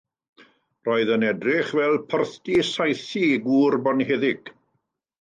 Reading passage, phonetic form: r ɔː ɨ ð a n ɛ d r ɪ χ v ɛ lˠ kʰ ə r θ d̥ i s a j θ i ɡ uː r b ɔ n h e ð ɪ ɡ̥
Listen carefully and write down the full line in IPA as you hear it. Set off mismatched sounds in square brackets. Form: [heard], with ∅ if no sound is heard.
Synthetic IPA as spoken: r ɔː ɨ ð [ə] n ɛ d r ɪ χ v ɛ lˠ [pʰ] ə r θ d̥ i s a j θ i ɡ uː r b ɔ n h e ð ɪ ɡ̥